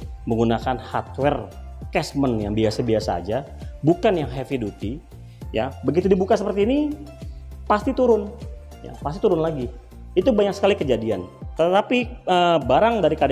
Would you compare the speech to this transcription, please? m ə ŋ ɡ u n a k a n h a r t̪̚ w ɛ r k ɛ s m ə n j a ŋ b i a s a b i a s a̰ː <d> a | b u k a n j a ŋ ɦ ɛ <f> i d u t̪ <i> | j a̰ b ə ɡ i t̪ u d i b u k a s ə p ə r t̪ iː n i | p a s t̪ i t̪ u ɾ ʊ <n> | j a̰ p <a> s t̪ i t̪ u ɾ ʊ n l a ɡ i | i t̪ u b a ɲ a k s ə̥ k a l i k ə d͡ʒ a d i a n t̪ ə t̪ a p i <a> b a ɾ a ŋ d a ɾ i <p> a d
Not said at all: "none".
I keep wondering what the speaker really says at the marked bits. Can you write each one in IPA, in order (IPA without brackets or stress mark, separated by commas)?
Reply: d͡ʒ, f, i, n, a, ə, k